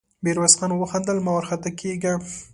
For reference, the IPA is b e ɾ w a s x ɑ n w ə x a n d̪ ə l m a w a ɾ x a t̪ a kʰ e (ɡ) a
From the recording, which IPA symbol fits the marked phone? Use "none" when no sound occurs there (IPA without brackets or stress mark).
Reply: ɡ